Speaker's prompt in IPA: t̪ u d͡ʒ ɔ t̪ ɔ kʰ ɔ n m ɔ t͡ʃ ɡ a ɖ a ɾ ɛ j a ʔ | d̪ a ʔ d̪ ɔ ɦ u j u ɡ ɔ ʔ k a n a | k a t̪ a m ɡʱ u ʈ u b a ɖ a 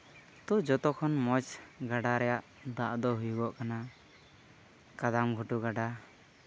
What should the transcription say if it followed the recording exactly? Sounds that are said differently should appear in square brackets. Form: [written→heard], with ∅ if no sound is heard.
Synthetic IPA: t̪ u d͡ʒ ɔ t̪ ɔ kʰ ɔ n m ɔ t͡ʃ ɡ a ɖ a ɾ ɛ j a ʔ | d̪ a ʔ d̪ ɔ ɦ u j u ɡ ɔ ʔ k a n a | k a [t̪→d̪] a m ɡʱ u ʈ u [b→ɡ] a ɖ a